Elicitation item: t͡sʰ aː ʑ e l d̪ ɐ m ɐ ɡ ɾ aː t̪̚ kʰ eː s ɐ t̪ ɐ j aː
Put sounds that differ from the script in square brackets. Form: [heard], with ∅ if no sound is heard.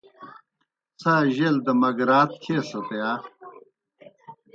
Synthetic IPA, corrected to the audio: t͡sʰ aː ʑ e l d̪ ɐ m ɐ ɡ ɾ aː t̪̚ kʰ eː s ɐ t̪ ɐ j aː